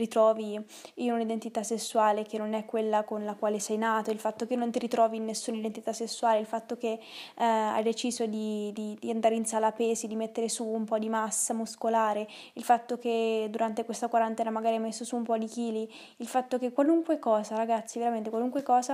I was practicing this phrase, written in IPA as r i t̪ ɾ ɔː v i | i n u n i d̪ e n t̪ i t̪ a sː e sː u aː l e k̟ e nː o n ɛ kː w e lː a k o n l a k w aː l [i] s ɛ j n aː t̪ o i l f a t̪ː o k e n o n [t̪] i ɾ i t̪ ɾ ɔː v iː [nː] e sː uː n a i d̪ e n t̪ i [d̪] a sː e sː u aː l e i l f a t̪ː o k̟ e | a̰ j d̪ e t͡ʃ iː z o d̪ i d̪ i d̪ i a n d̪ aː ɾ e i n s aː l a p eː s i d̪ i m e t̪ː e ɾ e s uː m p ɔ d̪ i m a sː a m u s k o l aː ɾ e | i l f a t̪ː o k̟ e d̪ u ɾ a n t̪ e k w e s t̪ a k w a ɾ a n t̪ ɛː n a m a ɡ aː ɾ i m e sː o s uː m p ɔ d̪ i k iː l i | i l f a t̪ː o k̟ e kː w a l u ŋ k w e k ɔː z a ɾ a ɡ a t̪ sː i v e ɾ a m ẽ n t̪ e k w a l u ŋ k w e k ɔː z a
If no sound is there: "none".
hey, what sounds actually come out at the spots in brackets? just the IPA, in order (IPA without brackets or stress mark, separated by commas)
e, t̪, nː, t̪